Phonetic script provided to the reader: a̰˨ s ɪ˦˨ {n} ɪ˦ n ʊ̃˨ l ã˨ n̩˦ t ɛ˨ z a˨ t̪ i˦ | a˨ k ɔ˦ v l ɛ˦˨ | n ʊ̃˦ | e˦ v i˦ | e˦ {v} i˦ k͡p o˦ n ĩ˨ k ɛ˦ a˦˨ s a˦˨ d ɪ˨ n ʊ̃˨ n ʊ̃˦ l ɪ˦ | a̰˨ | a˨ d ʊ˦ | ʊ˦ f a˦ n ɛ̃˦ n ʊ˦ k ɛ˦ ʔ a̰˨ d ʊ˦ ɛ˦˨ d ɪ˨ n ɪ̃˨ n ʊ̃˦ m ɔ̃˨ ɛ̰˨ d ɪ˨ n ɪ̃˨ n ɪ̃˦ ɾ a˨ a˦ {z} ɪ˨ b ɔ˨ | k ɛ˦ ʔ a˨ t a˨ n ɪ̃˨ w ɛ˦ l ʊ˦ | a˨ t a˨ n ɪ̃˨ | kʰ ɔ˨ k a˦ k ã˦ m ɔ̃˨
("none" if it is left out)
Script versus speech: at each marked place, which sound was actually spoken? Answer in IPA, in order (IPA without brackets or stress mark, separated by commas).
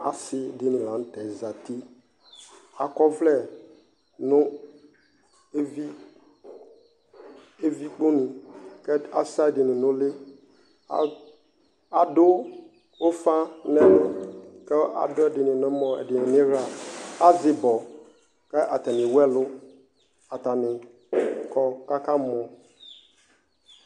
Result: d, v, z